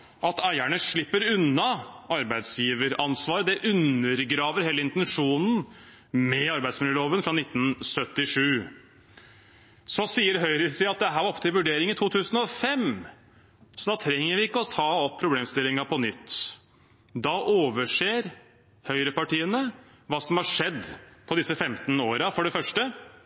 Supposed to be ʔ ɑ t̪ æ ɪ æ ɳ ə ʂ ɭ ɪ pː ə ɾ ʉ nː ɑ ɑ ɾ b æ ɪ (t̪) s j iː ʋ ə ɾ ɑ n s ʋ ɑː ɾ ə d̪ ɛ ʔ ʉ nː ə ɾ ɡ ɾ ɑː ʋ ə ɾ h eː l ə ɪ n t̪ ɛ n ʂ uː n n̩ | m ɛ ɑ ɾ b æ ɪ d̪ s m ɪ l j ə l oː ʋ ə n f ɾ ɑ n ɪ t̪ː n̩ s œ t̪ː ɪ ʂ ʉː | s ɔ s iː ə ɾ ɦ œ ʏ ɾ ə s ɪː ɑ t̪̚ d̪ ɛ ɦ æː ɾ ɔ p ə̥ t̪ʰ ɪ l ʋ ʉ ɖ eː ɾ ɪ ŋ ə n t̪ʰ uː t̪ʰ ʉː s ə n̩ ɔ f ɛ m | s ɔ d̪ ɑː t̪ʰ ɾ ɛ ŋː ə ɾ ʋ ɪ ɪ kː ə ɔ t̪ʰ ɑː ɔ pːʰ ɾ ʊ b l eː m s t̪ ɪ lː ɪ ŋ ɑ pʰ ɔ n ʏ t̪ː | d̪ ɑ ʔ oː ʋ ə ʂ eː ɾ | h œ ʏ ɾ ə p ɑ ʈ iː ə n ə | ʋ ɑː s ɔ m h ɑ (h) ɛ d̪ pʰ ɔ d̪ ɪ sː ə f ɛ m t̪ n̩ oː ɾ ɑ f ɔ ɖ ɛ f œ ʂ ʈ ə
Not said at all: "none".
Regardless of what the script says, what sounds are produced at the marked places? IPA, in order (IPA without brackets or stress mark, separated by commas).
d̪, ʂ